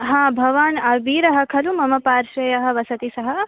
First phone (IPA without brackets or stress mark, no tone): ɦ